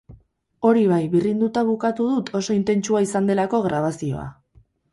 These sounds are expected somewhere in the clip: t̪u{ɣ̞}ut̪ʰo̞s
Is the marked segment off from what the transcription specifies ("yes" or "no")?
yes